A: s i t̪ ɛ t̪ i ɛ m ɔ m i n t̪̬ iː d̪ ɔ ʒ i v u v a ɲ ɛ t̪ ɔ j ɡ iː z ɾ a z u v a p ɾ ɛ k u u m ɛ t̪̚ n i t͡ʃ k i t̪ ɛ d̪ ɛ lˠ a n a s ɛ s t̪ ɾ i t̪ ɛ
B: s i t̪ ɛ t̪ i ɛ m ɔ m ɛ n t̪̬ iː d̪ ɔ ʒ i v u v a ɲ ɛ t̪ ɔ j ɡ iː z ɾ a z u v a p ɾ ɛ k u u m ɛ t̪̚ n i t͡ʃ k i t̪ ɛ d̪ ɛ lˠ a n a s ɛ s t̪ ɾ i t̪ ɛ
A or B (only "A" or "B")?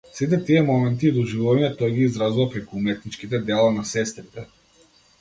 B